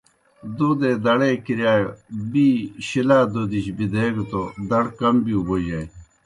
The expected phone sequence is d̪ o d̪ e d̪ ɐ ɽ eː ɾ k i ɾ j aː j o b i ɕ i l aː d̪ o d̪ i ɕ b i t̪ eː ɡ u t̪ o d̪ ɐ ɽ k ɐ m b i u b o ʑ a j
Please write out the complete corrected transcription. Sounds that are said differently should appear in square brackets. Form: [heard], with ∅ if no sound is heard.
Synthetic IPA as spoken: d̪ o d̪ e d̪ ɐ ɽ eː [∅] k i ɾ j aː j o b i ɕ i l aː d̪ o d̪ i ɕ b i [d̪] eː ɡ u t̪ o d̪ ɐ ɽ k ɐ m b i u b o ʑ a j